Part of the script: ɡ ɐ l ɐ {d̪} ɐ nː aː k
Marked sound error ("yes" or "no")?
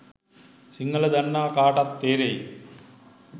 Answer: no